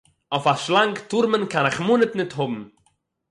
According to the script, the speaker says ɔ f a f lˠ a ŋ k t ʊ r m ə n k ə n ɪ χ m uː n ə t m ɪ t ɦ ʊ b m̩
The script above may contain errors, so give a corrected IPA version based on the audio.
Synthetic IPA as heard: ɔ f a ʃ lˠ a ŋ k t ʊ ɾ m ə n k a n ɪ χ m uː n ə t n ɪ t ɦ ʊ b m̩